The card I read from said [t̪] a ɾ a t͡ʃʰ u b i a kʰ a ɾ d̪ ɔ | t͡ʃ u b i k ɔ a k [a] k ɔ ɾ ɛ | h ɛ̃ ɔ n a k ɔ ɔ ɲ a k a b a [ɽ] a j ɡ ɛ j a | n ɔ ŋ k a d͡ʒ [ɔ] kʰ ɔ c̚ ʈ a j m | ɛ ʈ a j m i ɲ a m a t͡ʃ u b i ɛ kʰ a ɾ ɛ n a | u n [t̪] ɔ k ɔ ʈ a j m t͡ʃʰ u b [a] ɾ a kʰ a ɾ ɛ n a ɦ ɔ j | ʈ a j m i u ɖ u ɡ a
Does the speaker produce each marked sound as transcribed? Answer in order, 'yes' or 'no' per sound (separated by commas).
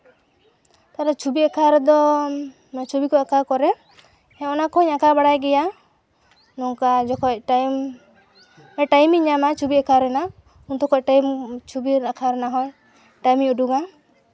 yes, yes, yes, yes, yes, no